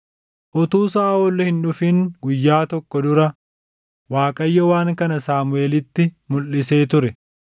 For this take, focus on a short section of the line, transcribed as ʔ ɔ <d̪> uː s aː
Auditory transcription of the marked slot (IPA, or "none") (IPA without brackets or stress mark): t̪